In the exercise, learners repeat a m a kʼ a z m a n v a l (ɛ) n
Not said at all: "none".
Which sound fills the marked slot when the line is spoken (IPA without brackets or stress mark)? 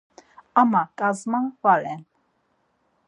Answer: ɛ